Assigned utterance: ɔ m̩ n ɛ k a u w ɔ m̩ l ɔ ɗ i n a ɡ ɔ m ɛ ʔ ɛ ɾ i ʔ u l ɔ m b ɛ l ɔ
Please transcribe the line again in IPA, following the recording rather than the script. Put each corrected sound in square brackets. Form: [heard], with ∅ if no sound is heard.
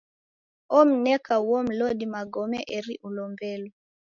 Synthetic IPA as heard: ɔ m̩ n ɛ k a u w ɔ m̩ l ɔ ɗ i [m] a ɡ ɔ m ɛ ʔ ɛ ɾ i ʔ u l ɔ m b ɛ l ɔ